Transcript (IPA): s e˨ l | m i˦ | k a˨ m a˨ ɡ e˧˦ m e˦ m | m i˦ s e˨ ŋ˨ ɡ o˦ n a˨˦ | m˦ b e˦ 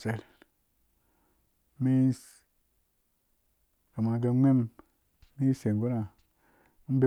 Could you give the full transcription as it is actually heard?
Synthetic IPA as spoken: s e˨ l | m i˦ | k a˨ m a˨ ɡ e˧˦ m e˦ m | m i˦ s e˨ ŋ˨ ɡ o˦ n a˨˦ | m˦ b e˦